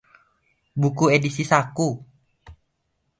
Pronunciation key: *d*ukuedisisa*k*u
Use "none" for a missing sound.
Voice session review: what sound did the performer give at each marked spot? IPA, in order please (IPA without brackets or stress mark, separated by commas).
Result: b, k